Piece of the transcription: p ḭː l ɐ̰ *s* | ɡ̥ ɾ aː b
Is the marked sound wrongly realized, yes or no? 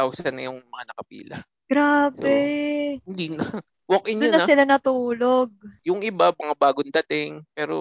yes